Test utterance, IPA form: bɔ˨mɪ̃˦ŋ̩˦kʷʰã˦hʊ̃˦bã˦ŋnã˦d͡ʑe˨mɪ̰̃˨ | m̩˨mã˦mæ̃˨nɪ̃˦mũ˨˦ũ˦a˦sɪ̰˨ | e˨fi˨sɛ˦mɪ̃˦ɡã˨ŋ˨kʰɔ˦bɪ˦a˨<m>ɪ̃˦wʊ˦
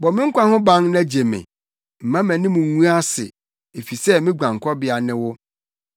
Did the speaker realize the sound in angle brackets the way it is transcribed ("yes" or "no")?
no